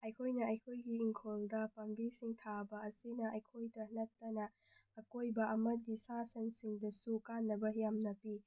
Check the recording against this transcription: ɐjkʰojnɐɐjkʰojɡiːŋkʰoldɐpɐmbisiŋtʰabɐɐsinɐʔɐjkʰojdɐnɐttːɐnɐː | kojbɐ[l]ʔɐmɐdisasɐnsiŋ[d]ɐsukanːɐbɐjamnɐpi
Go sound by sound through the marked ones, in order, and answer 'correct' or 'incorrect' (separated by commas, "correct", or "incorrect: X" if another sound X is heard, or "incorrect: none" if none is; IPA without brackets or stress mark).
incorrect: none, correct